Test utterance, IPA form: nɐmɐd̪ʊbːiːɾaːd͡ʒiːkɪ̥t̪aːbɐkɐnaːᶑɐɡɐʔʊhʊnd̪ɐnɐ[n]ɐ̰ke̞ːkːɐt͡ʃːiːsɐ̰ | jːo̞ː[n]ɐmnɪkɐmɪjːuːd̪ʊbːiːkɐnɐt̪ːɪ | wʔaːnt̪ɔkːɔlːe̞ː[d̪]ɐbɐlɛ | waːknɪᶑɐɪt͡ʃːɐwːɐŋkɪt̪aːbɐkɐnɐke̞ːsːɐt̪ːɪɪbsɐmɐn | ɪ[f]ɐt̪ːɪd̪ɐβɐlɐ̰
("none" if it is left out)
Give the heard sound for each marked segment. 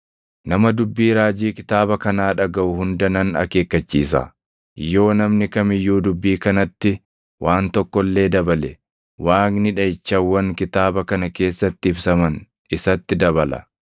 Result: n, n, d̪, s

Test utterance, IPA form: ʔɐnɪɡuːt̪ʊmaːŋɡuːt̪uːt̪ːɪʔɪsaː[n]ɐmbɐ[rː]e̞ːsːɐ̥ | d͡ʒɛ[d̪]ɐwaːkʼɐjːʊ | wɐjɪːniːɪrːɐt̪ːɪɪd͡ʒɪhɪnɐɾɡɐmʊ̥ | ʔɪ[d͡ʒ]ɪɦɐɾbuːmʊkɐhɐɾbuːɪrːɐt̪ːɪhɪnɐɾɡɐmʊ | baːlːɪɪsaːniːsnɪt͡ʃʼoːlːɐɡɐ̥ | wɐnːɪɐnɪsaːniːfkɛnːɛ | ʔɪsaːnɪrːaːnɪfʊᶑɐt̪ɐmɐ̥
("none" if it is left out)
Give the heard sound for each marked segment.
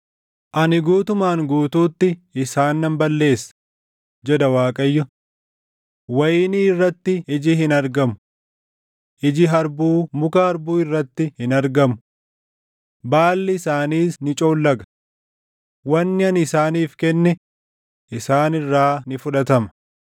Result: nː, lː, d̪, d͡ʒ

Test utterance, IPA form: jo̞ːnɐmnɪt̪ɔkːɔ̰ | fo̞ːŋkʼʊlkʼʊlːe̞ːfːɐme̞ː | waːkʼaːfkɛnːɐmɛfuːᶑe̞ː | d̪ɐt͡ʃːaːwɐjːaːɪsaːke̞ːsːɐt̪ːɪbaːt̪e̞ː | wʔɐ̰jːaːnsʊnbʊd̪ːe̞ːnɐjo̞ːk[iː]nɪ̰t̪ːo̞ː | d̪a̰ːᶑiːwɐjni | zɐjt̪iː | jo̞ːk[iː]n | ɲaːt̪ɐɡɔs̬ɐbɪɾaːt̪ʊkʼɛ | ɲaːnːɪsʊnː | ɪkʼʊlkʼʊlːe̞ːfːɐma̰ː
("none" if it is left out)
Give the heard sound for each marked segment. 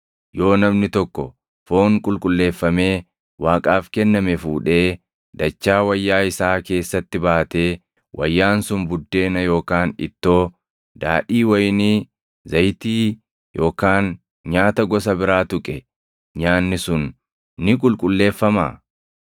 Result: aː, aː

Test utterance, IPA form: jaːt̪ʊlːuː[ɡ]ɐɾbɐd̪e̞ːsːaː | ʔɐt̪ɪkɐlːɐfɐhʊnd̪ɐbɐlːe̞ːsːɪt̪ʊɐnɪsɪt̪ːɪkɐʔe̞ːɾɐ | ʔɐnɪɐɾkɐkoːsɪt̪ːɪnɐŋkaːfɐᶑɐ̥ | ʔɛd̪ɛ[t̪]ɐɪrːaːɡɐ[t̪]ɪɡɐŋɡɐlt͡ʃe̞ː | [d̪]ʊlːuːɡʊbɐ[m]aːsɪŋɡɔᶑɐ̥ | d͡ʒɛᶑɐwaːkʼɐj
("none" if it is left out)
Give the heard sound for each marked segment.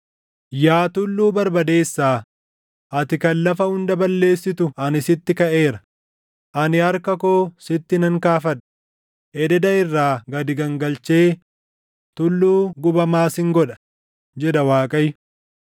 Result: b, d̪, d̪, t̪, m

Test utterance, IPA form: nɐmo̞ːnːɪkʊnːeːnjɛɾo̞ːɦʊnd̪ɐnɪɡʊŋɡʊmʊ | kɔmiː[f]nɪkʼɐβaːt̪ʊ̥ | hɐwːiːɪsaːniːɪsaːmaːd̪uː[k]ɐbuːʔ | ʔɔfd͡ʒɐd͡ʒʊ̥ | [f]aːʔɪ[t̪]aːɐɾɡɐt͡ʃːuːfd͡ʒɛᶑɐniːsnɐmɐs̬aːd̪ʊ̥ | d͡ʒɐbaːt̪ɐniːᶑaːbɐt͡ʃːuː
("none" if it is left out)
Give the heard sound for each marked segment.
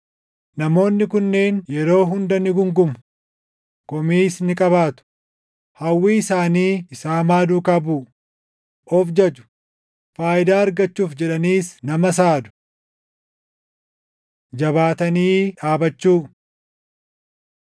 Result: s, k, f, d̪

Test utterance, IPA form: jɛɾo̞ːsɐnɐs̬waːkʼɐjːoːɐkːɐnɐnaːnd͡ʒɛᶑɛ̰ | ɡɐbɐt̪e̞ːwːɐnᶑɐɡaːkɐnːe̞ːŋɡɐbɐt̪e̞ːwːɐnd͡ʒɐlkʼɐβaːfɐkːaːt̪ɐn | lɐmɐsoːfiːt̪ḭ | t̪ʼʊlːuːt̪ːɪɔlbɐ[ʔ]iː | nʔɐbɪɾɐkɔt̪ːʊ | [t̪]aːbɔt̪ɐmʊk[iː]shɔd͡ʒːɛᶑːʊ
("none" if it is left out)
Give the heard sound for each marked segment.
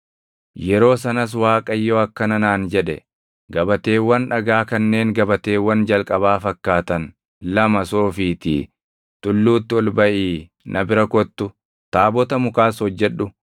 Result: ʔ, t̪, aː

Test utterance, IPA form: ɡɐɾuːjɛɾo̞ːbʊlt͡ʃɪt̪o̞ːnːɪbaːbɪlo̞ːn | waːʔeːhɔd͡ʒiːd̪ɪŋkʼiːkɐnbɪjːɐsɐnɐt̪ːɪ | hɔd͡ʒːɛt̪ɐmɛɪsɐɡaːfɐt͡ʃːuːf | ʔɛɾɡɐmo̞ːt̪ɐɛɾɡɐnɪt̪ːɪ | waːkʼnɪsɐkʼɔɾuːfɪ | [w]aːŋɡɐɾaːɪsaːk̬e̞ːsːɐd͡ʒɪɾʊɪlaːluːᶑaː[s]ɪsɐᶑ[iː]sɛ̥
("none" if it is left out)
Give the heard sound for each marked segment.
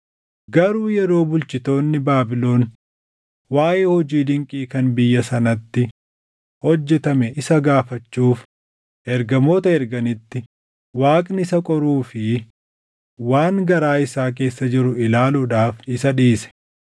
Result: w, f, iː

